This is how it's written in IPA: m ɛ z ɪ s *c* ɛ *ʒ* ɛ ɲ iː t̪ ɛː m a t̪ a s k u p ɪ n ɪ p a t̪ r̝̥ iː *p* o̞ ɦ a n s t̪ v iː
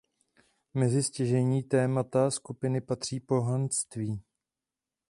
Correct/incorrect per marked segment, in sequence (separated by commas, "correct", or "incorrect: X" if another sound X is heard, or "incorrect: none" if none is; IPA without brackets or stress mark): correct, correct, correct